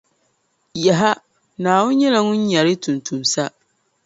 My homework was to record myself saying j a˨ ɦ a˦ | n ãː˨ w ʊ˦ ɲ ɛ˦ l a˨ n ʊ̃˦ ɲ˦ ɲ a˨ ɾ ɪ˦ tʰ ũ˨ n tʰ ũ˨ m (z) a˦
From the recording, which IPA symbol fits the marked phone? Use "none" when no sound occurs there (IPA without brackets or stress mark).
s